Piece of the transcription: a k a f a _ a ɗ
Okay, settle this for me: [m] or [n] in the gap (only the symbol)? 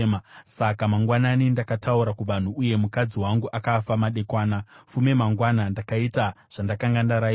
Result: m